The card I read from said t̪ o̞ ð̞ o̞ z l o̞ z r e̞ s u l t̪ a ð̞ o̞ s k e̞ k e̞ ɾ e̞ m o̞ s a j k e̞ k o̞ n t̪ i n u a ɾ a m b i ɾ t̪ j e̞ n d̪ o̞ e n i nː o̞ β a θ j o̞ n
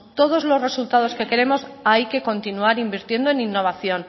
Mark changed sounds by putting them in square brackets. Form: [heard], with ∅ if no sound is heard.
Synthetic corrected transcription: t̪ o̞ ð̞ o̞ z l o̞ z r e̞ s u l t̪ a ð̞ o̞ s k e̞ k e̞ ɾ e̞ m o̞ s a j k e̞ k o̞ n t̪ i n u a ɾ [i] m b i ɾ t̪ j e̞ n d̪ o̞ e n i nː o̞ β a θ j o̞ n